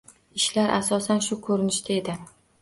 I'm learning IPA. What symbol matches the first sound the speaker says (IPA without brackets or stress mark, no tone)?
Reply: ɪ